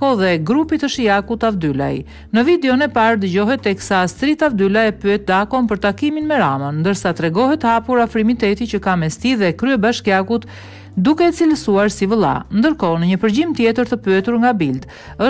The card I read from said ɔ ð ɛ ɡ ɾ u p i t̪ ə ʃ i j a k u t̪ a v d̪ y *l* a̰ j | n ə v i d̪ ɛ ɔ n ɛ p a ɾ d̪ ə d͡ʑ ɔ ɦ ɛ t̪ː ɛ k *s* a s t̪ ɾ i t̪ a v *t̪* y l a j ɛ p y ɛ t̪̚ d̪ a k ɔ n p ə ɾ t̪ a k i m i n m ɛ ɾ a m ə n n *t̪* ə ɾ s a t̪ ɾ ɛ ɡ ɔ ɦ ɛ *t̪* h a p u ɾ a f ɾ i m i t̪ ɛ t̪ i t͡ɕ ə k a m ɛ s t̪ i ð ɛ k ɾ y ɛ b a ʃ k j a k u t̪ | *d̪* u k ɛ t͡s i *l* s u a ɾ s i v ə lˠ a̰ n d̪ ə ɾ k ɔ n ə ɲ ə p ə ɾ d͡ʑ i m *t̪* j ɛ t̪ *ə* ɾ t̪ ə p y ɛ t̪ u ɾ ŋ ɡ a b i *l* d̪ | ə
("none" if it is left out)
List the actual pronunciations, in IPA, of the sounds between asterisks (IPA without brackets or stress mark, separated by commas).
l, s, d̪, d̪, t̪, d̪, l, t̪, ə, l